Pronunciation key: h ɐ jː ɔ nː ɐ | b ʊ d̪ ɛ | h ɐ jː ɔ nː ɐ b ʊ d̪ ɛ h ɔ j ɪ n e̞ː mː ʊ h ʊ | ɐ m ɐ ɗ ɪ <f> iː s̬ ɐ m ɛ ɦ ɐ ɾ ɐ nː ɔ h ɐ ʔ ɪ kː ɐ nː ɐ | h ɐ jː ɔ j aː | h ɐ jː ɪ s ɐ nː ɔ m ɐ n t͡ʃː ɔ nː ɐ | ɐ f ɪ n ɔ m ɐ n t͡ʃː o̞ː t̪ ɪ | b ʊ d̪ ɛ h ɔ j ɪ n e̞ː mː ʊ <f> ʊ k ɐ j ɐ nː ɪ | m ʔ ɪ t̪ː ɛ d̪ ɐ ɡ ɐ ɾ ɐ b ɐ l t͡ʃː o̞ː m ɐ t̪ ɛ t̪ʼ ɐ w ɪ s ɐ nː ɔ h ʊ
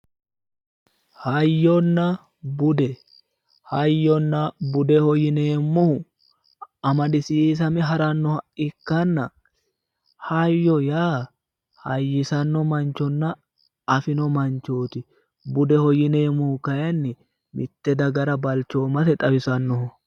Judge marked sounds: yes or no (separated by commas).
no, no